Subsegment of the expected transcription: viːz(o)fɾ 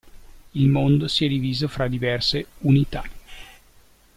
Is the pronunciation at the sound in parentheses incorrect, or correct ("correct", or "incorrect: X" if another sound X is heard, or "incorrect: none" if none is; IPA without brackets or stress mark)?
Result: correct